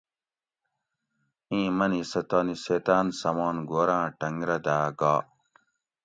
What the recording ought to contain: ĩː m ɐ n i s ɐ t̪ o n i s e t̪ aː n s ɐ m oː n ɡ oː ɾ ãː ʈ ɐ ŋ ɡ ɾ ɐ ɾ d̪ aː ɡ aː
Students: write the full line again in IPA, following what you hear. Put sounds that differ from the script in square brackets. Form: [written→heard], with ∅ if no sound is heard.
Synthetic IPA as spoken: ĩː m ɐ n i s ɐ t̪ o n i s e t̪ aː n s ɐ m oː n ɡ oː ɾ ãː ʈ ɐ ŋ ɡ ɾ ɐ [ɾ→∅] d̪ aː ɡ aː